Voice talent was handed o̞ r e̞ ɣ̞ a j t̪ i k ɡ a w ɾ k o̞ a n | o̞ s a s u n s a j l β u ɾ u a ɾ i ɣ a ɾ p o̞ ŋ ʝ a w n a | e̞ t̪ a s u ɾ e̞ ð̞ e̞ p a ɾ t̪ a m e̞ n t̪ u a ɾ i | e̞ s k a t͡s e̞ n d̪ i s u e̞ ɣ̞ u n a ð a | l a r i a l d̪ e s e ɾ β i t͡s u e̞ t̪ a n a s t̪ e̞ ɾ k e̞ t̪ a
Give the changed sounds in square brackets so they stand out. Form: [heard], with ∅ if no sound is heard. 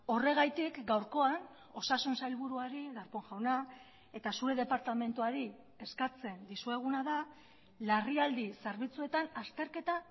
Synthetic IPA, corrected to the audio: o̞ r e̞ ɣ̞ a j t̪ i k ɡ a w ɾ k o̞ a n | o̞ s a s u n s a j l β u ɾ u a ɾ i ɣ a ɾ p o̞ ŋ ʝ a w n a | e̞ t̪ a s u ɾ e̞ ð̞ e̞ p a ɾ t̪ a m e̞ n t̪ u a ɾ i | e̞ s k a t͡s e̞ n d̪ i s u e̞ ɣ̞ u n a ð a | l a r i a l d̪ [i] s e ɾ β i t͡s u e̞ t̪ a n a s t̪ e̞ ɾ k e̞ t̪ a